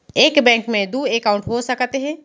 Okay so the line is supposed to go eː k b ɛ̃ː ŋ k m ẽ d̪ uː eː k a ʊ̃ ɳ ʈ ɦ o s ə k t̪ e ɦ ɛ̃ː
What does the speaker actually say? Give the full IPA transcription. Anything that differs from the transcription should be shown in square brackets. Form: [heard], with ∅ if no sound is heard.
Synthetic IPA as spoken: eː k b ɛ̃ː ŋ k m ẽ d̪ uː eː k a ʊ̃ ɳ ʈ ɦ o s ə k t̪ e ɦ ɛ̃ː